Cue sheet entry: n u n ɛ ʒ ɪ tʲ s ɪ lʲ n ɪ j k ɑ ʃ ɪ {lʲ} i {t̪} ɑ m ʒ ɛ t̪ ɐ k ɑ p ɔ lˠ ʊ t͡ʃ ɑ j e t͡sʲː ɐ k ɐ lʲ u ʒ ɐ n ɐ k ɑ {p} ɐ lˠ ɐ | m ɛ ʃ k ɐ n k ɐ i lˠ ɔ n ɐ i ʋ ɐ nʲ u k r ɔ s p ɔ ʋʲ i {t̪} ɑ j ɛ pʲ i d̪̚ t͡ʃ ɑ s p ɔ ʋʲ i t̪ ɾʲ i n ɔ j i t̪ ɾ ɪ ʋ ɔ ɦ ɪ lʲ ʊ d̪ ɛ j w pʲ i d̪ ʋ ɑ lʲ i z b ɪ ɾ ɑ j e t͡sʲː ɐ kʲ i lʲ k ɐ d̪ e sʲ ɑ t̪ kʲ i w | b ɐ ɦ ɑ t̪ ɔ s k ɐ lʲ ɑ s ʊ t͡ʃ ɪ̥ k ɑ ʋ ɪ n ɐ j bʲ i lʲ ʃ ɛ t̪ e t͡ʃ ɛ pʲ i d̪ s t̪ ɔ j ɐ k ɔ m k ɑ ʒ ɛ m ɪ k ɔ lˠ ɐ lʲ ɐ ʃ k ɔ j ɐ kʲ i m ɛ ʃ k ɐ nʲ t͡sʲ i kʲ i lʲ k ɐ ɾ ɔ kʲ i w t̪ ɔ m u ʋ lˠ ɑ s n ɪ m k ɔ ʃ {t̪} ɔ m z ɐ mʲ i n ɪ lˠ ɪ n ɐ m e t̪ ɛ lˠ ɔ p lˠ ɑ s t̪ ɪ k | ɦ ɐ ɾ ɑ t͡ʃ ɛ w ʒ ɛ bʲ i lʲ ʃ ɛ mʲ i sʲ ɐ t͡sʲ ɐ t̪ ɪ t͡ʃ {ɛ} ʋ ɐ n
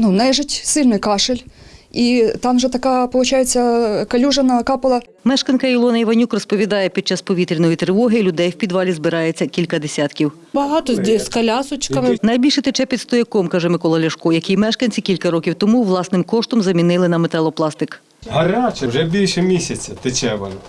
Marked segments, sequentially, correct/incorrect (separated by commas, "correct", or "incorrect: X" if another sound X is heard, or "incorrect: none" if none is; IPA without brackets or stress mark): correct, correct, correct, incorrect: d̪, correct, correct